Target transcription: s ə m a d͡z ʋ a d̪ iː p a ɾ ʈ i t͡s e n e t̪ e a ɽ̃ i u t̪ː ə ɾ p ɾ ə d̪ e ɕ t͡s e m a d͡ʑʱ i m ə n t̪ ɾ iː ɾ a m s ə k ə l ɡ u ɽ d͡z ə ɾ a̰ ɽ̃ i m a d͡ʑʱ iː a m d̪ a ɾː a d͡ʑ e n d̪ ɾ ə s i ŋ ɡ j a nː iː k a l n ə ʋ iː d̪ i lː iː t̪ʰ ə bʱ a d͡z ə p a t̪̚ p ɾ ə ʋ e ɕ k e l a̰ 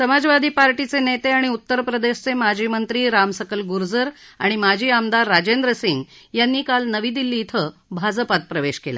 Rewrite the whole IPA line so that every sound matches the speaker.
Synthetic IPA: s ə m a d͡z ʋ a d̪ iː p a ɾ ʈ i t͡s e n e t̪ e a ɽ̃ i u t̪ː ə ɾ p ɾ ə d̪ e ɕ t͡s e m a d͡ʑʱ i m ə n t̪ ɾ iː ɾ a m s ə k ə l ɡ u ɾ d͡z ə ɾ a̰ ɽ̃ i m a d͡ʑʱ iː a m d̪ a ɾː a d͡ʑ e n d̪ ɾ ə s i ŋ ɡ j a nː iː k a l n ə ʋ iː d̪ i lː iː t̪ʰ ə bʱ a d͡z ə p a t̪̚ p ɾ ə ʋ e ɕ k e l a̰

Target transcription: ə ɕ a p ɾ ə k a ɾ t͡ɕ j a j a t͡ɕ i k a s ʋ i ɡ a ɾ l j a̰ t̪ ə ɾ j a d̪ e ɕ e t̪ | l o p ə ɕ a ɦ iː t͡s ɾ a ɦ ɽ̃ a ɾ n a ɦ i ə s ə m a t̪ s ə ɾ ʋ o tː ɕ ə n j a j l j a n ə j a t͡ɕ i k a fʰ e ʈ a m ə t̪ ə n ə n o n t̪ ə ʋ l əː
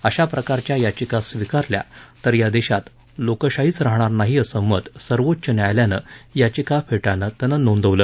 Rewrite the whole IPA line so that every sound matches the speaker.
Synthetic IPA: ə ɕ a p ɾ ə k a ɾ t͡ɕ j a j a t͡ɕ i k a s ʋ i k a ɾ l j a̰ t̪ ə ɾ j a d̪ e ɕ a t̪ | l o k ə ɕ a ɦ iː t͡s ɾ a ɦ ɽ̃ a ɾ n a ɦ i ə s ə m ə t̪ s ə ɾ ʋ o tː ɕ ə n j a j l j a n ə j a t͡ɕ i k a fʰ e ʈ a n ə t̪ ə n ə n o n d̪ ə ʋ l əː

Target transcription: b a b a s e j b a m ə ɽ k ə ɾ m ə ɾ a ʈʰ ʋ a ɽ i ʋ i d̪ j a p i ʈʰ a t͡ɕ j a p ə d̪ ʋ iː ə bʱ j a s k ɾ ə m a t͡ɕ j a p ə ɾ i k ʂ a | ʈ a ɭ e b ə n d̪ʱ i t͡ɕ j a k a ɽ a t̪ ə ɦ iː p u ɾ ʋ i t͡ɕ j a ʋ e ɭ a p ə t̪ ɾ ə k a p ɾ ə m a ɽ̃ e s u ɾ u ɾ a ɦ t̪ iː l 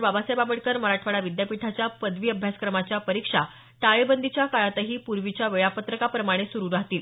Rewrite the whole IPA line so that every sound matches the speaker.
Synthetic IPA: b a b a s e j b a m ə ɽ k ə ɾ m ə ɾ a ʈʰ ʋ a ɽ a ʋ i d̪ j a p i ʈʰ a t͡ɕ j a p ə d̪ ʋ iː ə bʱ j a s k ɾ ə m a t͡ɕ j a p ə ɾ i k ʂ a | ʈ a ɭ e b ə n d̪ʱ i t͡ɕ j a k a ɭ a t̪ ə ɦ iː p u ɾ ʋ i t͡ɕ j a ʋ e ɭ a p ə t̪ ɾ ə k a p ɾ ə m a ɽ̃ e s u ɾ u ɾ a ɦ t̪ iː l

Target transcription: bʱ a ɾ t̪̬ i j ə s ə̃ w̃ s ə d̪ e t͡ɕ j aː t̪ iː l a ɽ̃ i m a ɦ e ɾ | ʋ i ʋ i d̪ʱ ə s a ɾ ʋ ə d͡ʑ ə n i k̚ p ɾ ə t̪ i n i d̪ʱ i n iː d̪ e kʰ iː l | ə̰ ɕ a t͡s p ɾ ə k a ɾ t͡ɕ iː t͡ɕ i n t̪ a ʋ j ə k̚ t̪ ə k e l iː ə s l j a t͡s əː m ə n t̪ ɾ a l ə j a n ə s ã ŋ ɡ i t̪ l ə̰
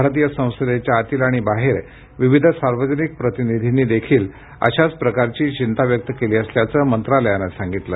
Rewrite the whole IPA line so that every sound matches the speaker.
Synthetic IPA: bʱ a ɾ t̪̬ i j ə s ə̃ w̃ s ə d̪ e t͡ɕ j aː t̪ iː l a ɽ̃ i b a ɦ e ɾ | ʋ i ʋ i d̪ʱ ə s a ɾ ʋ ə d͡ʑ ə n i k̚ p ɾ ə t̪ i n i d̪ʱ i n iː d̪ e kʰ iː l | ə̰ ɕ a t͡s p ɾ ə k a ɾ t͡ɕ iː t͡ɕ i n t̪ a ʋ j ə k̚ t̪ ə k e l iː ə s l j a t͡s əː m ə n t̪ ɾ a l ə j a n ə s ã ŋ ɡ i t̪ l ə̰

